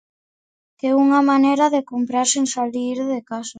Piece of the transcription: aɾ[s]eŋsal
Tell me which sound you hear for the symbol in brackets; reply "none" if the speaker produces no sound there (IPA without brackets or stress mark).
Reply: s